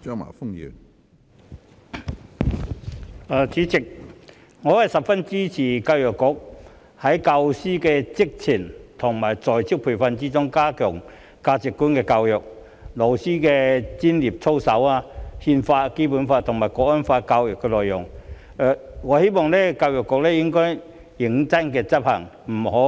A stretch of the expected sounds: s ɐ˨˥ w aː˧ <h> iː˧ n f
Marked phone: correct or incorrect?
correct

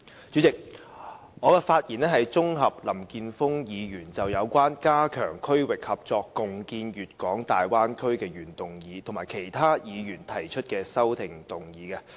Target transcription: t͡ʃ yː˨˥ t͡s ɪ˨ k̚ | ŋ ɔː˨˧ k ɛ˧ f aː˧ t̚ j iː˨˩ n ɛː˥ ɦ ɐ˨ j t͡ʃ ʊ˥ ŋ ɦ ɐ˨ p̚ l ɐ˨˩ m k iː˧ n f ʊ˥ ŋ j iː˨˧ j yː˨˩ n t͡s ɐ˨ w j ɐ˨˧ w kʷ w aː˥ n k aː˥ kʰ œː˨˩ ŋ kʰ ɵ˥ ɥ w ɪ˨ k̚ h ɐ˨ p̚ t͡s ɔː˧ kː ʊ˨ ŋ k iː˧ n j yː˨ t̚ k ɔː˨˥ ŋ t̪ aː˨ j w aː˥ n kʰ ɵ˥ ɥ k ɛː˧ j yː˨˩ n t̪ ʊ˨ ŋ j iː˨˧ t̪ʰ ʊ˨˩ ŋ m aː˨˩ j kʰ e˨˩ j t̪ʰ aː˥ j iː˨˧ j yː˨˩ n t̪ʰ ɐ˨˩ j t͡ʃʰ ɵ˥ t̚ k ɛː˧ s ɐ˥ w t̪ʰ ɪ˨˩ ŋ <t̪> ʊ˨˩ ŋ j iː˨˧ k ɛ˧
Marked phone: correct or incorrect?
correct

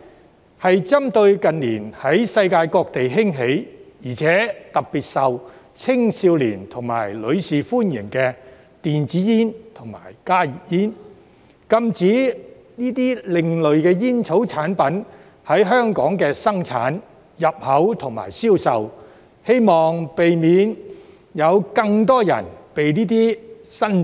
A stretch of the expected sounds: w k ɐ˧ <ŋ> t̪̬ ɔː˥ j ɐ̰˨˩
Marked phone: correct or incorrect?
correct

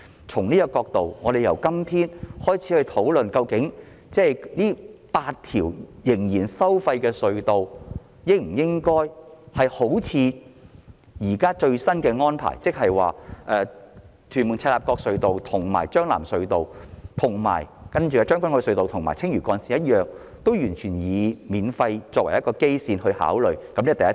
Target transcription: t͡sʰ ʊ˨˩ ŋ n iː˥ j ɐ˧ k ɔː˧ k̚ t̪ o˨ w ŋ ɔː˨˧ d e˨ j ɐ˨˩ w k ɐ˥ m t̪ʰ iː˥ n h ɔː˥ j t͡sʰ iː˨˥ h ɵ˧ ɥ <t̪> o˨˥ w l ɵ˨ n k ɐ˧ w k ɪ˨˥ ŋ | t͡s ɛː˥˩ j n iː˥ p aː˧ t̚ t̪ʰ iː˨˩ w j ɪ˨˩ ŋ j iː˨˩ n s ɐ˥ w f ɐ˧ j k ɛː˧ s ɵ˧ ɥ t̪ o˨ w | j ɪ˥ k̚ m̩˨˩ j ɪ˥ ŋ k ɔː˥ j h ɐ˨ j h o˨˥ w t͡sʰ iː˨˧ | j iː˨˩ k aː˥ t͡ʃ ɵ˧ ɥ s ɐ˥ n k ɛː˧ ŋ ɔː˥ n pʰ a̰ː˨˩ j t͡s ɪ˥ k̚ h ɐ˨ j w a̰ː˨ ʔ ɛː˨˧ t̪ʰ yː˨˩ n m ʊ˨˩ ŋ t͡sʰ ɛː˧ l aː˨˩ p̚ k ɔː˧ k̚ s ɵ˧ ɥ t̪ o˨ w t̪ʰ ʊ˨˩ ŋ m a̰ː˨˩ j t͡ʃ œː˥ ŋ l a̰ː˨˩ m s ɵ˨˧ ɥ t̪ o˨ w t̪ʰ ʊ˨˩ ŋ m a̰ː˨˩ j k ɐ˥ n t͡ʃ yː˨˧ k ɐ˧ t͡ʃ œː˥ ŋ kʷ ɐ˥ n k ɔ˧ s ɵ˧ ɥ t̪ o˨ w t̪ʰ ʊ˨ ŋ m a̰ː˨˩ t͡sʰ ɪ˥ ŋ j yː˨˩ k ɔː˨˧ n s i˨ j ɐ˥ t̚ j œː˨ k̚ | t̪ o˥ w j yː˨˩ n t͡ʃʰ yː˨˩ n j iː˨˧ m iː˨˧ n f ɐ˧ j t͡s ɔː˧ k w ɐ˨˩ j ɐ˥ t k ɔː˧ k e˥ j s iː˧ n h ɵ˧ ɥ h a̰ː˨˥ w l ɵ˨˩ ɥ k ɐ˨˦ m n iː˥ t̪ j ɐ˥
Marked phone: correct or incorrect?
incorrect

